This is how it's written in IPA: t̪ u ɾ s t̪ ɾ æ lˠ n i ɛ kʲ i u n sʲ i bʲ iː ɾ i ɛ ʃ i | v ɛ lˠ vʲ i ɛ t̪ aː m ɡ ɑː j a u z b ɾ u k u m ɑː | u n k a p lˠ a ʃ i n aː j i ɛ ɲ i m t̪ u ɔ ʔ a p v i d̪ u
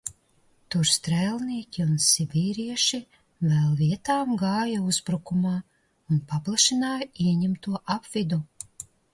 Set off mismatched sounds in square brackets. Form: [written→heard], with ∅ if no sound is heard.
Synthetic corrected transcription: t̪ u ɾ s t̪ ɾ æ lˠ n i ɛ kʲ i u n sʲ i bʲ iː ɾ i ɛ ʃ i | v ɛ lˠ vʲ i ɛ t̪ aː m ɡ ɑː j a u z b ɾ u k u m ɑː | u n [k→p] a p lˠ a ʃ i n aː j i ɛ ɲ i m t̪ u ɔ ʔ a p v i d̪ u